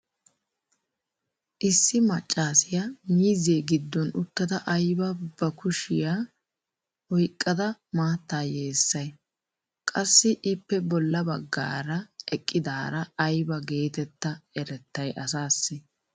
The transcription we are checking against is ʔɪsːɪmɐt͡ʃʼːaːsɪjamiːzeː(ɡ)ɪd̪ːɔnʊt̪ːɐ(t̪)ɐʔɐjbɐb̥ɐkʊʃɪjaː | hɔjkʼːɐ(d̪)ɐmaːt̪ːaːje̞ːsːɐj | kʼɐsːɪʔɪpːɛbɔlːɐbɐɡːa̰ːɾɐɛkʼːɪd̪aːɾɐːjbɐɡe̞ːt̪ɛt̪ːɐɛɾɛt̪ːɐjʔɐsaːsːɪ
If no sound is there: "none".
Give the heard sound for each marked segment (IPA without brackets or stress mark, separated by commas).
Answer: ɡ, d̪, d̪